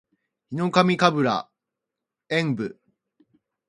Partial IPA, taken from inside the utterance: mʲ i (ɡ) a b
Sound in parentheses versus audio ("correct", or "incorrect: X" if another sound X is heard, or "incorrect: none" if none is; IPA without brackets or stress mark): incorrect: k